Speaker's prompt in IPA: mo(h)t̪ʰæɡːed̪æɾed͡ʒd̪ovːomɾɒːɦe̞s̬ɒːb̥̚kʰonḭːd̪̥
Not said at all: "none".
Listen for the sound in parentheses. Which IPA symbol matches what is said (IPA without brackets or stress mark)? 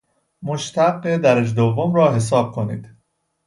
ʃ